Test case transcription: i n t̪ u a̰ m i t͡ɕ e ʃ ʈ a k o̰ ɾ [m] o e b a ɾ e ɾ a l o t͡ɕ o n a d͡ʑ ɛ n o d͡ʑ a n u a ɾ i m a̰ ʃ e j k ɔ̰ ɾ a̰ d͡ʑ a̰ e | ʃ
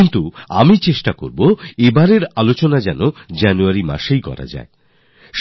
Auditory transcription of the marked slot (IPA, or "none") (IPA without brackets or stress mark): b